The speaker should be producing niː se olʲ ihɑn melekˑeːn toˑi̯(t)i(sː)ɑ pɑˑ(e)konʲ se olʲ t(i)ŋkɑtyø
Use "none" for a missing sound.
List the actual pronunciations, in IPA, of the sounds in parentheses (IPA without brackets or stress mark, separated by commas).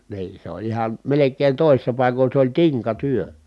s, sː, i, i